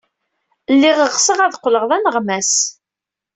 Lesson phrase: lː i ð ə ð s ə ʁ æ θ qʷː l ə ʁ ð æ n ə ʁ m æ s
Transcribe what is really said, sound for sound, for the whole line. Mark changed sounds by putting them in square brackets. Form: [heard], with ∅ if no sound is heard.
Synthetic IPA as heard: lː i [ʁ] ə [ʁ] s ə ʁ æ [ð] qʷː l ə ʁ ð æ n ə ʁ m æ s